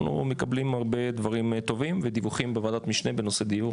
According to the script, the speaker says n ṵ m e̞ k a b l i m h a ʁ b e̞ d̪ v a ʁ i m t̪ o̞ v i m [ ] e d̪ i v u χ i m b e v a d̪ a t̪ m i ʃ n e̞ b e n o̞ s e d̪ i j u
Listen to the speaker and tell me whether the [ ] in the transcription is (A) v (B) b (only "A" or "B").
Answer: A